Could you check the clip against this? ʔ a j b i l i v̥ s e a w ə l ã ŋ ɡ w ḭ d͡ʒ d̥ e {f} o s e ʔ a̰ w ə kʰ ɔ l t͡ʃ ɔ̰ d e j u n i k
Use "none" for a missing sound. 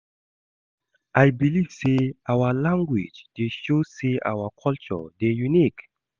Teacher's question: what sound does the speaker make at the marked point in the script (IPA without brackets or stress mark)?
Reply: ʃ